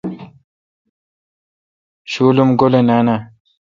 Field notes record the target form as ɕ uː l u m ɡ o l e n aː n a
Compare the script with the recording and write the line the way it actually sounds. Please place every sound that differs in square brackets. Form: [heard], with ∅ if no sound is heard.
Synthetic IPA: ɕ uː l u m ɡ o l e n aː n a